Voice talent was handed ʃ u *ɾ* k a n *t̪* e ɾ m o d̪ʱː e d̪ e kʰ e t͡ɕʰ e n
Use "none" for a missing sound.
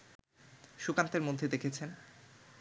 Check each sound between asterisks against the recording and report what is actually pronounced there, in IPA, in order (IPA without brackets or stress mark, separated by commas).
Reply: none, t̪